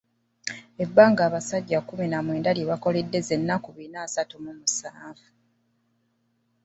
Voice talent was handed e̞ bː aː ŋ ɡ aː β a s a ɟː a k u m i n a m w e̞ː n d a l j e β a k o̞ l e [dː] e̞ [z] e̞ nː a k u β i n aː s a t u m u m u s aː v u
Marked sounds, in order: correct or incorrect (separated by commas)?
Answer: correct, correct